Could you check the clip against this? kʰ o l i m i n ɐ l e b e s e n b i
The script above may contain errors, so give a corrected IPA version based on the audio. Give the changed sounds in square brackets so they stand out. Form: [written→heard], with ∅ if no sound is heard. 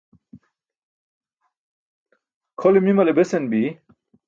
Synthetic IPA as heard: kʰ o l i m i [n→m] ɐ l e b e s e n b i